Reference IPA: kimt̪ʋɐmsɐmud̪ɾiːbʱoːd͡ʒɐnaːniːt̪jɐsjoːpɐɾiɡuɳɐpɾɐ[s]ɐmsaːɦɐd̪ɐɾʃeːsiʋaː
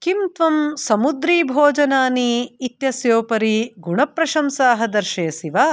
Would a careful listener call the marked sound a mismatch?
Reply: yes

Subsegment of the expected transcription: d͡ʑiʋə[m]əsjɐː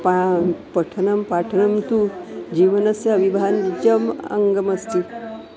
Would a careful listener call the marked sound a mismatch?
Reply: yes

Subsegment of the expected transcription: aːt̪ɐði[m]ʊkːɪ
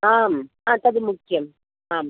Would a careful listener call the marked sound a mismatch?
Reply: no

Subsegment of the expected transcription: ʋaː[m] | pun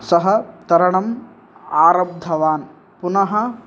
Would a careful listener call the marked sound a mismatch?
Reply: yes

